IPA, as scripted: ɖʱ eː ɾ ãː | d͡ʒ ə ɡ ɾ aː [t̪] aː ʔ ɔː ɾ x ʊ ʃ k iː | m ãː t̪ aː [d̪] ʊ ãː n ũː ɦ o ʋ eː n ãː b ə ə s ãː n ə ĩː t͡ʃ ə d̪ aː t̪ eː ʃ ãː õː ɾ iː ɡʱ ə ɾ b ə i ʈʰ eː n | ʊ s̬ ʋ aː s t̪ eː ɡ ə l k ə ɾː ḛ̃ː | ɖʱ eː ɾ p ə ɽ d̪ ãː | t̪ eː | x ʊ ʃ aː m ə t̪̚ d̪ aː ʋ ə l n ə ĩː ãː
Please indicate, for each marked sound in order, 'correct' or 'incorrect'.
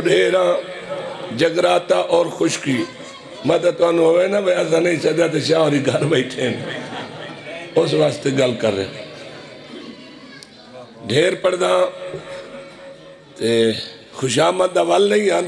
correct, incorrect: t̪

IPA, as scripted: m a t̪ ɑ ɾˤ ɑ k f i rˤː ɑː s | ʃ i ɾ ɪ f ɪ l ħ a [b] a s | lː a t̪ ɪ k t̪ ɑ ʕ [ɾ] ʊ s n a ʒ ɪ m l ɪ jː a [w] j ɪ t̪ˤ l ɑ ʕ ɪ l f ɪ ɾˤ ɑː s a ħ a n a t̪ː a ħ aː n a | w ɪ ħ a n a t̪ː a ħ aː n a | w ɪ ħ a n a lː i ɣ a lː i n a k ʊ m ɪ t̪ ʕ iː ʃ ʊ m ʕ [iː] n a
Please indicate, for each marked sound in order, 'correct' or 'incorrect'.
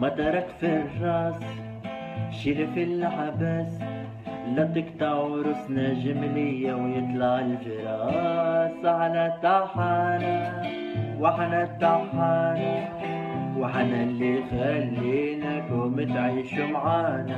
correct, correct, correct, incorrect: aː

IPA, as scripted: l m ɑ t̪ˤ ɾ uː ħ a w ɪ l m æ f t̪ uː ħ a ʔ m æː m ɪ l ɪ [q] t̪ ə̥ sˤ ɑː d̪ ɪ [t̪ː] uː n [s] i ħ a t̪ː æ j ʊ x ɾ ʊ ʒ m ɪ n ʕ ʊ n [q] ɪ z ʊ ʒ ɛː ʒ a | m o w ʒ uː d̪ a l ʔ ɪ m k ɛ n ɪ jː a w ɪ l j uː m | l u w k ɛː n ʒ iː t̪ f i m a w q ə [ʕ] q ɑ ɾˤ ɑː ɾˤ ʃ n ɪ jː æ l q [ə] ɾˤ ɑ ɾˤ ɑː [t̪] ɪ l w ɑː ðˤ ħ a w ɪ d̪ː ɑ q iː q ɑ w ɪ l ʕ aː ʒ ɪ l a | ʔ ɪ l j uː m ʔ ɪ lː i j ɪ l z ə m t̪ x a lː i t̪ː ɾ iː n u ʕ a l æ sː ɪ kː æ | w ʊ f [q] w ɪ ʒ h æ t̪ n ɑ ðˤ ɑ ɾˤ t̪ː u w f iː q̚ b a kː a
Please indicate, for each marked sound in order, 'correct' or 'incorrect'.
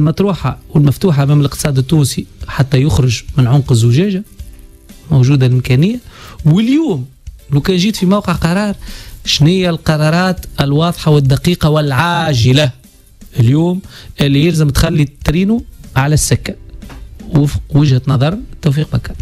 correct, correct, correct, correct, correct, incorrect: ɑ, correct, correct

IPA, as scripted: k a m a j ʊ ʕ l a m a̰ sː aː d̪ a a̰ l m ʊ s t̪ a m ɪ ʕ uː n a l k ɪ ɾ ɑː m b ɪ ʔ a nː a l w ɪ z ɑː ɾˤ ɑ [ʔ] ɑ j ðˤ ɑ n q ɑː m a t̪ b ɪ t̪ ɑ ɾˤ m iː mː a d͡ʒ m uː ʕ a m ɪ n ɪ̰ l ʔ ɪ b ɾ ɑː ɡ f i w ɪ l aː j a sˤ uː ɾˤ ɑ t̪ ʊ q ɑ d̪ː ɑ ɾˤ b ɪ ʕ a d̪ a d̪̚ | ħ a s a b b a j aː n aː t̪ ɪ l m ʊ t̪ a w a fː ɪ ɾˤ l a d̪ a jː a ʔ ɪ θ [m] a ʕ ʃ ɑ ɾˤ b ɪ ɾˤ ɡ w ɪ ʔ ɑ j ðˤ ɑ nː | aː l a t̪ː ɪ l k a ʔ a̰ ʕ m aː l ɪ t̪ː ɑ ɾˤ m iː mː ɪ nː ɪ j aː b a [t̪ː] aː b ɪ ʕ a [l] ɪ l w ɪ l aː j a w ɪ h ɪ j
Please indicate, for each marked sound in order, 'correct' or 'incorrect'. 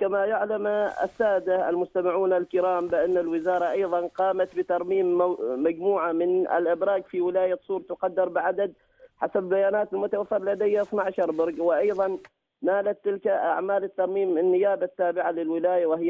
correct, incorrect: n, correct, correct

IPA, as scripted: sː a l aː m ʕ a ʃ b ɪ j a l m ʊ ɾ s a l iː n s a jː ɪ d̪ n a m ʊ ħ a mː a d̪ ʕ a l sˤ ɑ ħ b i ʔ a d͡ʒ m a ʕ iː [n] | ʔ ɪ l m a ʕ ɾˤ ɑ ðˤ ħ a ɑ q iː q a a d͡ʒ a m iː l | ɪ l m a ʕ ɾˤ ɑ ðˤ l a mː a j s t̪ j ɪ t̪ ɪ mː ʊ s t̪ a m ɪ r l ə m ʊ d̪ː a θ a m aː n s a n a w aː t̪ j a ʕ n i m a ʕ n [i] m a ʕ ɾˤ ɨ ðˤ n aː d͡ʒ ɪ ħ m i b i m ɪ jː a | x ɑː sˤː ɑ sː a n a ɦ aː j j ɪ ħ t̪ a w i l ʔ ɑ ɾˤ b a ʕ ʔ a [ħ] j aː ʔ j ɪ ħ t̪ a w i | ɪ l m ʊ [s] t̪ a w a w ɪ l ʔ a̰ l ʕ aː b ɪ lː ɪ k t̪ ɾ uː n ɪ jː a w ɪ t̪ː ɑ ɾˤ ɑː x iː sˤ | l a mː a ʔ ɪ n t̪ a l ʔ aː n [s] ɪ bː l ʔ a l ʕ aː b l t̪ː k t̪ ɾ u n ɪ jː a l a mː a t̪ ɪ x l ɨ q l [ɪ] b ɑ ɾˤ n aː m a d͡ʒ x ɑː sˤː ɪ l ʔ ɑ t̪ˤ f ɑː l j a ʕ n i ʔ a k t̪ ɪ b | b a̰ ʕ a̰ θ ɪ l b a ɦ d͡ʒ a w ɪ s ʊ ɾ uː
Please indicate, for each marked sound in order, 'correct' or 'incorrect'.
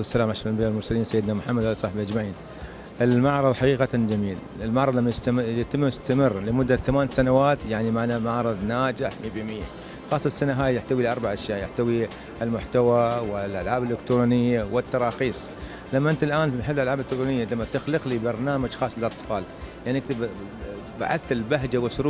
correct, incorrect: a, incorrect: ʃ, incorrect: ħ, incorrect: ħ, incorrect: i

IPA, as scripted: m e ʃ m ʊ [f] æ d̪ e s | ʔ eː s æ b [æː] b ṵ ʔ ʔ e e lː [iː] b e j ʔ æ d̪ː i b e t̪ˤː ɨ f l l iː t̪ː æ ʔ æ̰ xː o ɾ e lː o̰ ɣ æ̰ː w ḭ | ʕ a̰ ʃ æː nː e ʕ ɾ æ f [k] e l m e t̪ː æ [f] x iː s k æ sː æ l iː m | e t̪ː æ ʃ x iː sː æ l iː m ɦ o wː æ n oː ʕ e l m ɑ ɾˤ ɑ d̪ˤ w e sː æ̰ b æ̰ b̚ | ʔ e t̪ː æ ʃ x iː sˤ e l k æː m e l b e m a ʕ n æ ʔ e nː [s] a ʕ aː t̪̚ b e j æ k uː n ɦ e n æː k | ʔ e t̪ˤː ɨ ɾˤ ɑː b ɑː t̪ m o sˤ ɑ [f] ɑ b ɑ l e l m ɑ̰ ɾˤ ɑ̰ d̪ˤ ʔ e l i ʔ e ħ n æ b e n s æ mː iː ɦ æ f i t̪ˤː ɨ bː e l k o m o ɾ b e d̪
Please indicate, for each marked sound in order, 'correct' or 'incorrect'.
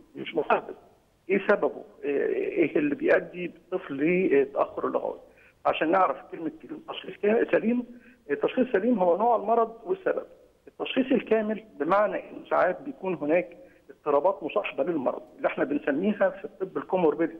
incorrect: ħ, incorrect: æ, incorrect: i, correct, incorrect: ʃ, correct, incorrect: ħ

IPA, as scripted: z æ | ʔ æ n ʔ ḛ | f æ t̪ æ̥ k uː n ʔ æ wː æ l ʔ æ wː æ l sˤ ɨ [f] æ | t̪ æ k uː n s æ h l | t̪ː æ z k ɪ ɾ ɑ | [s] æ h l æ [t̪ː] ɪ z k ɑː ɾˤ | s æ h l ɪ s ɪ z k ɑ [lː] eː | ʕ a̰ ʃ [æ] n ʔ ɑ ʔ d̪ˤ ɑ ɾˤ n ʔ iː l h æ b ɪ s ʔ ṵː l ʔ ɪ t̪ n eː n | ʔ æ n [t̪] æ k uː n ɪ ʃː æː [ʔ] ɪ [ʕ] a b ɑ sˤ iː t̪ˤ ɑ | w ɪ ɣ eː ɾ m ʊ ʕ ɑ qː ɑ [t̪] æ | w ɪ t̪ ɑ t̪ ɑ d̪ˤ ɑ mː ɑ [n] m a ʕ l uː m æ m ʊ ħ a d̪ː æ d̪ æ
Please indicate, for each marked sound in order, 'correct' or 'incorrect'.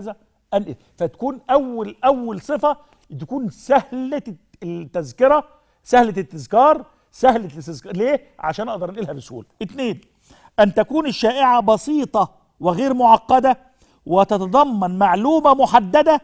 correct, correct, correct, incorrect: l, incorrect: æː, correct, correct, correct, incorrect: d̪, correct

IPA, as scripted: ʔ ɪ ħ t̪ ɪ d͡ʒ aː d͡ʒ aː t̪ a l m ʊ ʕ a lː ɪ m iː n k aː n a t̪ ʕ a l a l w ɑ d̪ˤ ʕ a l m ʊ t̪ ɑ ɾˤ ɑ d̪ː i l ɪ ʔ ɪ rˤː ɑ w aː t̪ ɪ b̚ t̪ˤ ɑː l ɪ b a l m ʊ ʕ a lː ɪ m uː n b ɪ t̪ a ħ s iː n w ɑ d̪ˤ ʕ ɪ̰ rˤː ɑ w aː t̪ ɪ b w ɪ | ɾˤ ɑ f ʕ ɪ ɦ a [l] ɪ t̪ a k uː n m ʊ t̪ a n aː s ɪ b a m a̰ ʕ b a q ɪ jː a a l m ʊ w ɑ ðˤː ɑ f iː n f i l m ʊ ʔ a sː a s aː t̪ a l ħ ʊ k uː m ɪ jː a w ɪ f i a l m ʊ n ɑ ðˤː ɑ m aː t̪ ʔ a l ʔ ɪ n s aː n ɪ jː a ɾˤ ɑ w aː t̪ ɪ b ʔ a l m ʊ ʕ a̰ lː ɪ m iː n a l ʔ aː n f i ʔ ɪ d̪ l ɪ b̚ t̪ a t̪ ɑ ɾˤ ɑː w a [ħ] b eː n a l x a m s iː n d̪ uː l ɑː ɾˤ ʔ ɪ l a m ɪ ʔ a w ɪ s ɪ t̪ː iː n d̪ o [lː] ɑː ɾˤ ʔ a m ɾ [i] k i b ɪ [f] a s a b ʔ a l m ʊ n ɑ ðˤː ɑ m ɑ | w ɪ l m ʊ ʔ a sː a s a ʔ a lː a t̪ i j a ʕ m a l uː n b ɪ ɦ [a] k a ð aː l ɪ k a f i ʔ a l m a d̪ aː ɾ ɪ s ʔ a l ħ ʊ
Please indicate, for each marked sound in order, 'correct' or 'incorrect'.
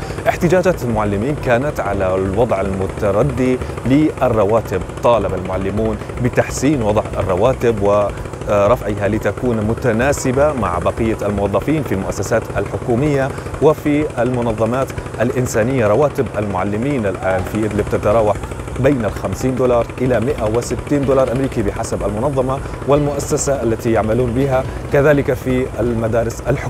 correct, correct, incorrect: l, incorrect: iː, incorrect: ħ, correct

